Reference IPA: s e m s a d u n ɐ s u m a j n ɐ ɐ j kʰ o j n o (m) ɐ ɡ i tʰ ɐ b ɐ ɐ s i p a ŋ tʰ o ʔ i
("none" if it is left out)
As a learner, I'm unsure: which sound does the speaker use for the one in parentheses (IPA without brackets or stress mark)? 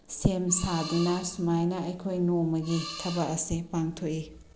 m